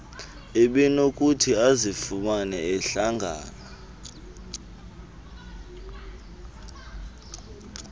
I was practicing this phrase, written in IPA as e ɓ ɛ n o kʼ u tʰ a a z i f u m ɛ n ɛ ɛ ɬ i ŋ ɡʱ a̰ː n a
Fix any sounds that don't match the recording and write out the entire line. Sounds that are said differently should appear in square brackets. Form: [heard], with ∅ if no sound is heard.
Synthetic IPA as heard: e ɓ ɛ n o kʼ u tʰ [i] a z i f u m [a] n ɛ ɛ ɬ [a] ŋ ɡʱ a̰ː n a